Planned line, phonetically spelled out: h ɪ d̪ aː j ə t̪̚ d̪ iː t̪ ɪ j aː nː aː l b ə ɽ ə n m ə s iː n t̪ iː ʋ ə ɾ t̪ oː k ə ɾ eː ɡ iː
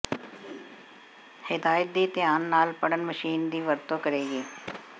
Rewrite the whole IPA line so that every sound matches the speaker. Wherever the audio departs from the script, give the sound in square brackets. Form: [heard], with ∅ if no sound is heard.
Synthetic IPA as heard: h ɪ d̪ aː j ə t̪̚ d̪ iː t̪ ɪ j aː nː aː l [p] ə ɽ ə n m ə [ʃ] iː n [d̪] iː ʋ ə ɾ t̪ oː k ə ɾ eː ɡ iː